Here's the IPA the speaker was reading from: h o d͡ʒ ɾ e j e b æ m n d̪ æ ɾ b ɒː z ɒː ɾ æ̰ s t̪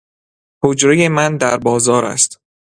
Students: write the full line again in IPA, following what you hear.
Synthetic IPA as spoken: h o d͡ʒ ɾ e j e m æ n d̪ æ ɾ b ɒː z ɒː ɾ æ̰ s t̪